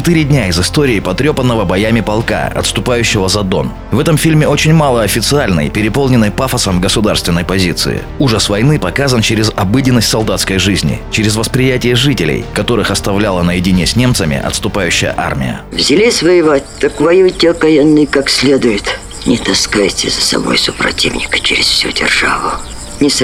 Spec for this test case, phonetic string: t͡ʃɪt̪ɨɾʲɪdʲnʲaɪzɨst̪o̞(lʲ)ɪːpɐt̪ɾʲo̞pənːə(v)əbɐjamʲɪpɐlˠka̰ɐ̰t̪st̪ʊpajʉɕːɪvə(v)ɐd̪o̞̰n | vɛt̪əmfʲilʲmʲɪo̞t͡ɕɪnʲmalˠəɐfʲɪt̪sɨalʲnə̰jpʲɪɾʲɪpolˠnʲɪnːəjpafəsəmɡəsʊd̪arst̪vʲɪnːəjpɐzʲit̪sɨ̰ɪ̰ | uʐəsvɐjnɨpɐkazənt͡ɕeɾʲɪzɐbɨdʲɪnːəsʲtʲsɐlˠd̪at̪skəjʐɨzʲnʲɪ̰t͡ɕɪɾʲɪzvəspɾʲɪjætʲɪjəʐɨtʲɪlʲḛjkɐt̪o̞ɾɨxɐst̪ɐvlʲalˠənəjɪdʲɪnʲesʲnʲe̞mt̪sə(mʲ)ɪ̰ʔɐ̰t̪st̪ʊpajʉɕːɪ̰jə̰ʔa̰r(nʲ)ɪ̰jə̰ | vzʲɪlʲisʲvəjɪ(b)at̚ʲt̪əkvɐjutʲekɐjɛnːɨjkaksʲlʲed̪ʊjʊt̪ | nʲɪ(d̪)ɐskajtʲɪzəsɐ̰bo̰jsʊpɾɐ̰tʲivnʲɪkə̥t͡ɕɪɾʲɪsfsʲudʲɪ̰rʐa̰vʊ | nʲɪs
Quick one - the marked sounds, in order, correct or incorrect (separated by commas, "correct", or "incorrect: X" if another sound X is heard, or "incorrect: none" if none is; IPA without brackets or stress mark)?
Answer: incorrect: ɾʲ, correct, incorrect: z, correct, incorrect: mʲ, incorrect: v, incorrect: t̪